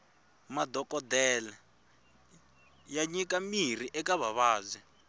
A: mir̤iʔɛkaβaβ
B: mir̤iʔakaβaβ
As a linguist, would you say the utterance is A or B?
A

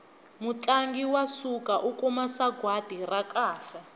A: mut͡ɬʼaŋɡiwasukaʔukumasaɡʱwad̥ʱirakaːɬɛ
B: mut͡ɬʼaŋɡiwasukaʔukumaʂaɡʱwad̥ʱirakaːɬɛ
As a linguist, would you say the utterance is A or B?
A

